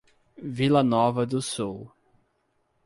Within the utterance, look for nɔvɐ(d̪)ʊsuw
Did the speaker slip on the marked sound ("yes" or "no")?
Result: no